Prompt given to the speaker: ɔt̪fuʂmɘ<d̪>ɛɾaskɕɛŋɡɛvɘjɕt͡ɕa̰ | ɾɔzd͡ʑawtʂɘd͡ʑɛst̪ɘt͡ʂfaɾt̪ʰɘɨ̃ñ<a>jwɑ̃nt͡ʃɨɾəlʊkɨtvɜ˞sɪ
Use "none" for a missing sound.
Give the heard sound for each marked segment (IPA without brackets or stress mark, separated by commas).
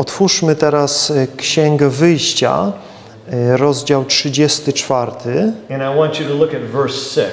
t̪, a